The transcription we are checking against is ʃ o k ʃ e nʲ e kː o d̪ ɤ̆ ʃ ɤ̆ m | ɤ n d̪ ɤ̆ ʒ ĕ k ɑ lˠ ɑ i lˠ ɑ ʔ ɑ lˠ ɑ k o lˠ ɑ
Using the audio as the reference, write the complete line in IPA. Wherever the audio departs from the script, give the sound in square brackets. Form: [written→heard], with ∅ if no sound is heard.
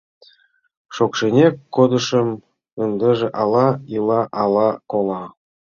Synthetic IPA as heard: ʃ o k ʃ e nʲ e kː o d̪ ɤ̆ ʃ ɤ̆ m | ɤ n d̪ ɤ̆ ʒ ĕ [k→ʔ] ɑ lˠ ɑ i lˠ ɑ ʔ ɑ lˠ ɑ k o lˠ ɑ

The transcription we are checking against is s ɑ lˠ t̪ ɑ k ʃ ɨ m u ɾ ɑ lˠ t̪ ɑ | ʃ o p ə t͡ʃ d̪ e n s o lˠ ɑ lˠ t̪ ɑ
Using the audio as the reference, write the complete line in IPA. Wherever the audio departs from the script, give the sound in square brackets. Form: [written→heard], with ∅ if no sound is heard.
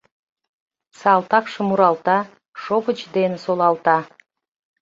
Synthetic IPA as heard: s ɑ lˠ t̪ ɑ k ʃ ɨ m u ɾ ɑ lˠ t̪ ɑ | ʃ o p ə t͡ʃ d̪ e n s o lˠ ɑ lˠ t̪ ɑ

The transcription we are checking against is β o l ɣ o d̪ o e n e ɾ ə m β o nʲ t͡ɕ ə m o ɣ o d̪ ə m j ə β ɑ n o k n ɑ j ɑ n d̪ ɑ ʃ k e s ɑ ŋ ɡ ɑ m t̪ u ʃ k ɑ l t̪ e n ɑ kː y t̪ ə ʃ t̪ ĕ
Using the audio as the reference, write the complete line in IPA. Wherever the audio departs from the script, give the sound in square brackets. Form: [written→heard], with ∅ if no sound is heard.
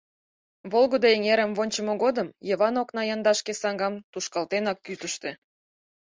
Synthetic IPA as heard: β o l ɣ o d̪ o e [n→ŋ] e ɾ ə m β o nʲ t͡ɕ ə m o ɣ o d̪ ə m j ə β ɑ n o k n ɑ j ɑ n d̪ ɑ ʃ k e s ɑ ŋ ɡ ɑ m t̪ u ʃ k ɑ l t̪ e n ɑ kː y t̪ ə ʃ t̪ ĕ

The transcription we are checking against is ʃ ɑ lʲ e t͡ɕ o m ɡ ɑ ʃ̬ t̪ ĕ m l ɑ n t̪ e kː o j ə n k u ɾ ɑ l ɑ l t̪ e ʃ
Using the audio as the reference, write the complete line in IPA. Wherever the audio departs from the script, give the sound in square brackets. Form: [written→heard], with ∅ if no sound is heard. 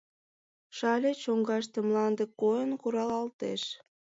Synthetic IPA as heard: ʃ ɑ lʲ e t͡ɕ o [m→ŋ] ɡ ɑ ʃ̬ t̪ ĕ m l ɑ n [t̪→d̪] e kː o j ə n k u ɾ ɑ l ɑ l t̪ e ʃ

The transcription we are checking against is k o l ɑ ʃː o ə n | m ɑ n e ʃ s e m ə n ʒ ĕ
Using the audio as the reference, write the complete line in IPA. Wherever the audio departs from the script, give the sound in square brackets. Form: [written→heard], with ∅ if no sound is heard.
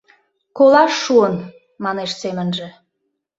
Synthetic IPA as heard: k o l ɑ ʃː [o→u] ə n | m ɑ n e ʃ s e m ə n ʒ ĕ

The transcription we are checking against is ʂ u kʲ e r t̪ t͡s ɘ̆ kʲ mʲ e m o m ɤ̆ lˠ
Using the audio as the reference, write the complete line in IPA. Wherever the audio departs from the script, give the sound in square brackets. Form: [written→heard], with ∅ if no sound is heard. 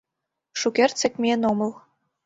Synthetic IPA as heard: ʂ u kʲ e r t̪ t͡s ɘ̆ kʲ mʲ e [m→n] o m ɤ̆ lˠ

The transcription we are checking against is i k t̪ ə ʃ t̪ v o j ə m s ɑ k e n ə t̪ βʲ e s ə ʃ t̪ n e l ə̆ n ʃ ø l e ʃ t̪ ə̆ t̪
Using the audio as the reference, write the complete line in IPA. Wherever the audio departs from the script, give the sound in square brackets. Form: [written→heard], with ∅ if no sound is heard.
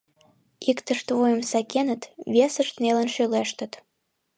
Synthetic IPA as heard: i k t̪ ə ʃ t̪ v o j ə m s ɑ k e n ə t̪ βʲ e s ə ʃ t̪ n e l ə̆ n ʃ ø l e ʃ t̪ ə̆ t̪

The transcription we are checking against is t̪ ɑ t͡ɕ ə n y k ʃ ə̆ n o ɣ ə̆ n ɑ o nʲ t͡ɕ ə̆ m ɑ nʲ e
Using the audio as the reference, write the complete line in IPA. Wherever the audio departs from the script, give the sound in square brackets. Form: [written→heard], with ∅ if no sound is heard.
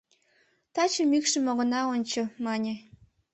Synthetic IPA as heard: t̪ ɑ t͡ɕ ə [n→m] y k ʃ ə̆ [n→m] o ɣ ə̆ n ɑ o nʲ t͡ɕ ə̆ m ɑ nʲ e

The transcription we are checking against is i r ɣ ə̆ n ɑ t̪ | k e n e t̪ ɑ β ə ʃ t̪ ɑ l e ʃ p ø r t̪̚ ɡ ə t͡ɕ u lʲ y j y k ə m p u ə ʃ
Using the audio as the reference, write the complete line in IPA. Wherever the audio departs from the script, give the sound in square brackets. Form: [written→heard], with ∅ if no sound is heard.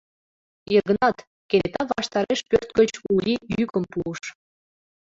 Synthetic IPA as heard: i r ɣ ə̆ n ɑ t̪ | k e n e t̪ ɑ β [ə→ɑ] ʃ t̪ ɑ [l→ɾ] e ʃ p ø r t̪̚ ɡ ə t͡ɕ u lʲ [y→i] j y k ə m p u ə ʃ

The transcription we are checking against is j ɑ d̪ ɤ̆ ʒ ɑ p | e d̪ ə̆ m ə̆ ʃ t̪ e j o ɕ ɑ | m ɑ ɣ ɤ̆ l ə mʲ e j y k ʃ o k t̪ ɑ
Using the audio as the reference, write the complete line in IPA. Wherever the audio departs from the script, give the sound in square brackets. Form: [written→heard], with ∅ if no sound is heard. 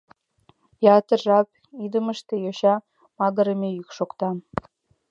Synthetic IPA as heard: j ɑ [d̪→t̪] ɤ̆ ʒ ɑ p | [e→i] d̪ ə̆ m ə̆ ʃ t̪ e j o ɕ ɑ | m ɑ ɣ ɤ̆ [l→ɾ] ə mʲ e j y k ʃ o k t̪ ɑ

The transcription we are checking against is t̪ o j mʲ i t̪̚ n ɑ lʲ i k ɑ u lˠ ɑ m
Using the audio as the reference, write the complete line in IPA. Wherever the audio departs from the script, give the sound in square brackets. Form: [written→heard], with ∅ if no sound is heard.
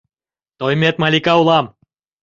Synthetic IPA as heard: t̪ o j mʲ [i→e] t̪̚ [n→m] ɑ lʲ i k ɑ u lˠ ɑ m

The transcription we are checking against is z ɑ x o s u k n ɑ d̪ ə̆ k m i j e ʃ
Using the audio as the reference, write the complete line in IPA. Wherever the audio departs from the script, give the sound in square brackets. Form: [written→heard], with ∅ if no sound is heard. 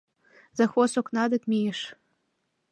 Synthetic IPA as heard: z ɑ x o s [u→o] k n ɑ d̪ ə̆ k m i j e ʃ

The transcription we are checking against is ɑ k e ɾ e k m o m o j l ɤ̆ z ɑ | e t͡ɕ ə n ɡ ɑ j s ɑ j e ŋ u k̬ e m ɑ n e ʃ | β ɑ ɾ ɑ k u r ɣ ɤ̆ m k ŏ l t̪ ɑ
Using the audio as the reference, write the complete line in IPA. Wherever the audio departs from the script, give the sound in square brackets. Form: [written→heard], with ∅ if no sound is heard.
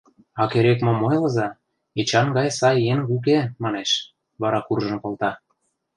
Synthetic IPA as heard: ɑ k e ɾ e k m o m o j l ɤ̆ z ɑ | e t͡ɕ [ə→ɑ] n ɡ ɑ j s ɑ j e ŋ u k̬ e m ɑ n e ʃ | β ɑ ɾ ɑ k u r [ɣ→ʒ] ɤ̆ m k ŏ l t̪ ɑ

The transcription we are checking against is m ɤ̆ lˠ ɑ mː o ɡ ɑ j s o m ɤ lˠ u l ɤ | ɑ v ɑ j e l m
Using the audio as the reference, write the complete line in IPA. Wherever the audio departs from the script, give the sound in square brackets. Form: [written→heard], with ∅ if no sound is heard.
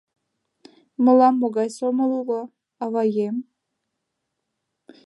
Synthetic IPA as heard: m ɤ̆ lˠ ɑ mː o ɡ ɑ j s o m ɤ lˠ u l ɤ | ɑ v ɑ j e [l→∅] m

